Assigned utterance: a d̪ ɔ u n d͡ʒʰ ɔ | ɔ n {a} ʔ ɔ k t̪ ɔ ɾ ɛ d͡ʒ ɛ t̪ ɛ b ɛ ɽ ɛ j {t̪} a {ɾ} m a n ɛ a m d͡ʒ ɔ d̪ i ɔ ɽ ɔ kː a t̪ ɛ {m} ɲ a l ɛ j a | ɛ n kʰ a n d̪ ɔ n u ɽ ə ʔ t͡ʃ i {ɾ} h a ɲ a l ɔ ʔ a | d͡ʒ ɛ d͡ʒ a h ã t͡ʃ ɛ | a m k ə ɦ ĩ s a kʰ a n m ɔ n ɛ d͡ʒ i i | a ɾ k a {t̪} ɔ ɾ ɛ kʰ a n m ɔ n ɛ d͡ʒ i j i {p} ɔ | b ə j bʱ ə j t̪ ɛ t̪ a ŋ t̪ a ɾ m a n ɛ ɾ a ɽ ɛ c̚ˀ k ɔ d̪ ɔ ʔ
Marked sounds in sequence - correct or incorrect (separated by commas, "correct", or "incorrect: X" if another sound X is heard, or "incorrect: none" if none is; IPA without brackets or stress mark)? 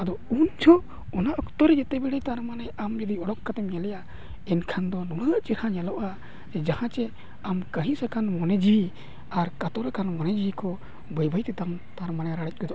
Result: correct, correct, correct, correct, correct, correct, incorrect: k